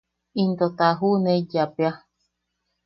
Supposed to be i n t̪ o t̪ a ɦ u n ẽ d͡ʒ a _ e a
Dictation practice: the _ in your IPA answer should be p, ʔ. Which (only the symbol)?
p